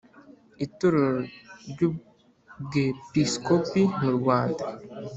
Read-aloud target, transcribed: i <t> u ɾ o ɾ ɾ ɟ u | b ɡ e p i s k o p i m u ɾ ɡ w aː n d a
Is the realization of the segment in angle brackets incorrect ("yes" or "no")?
no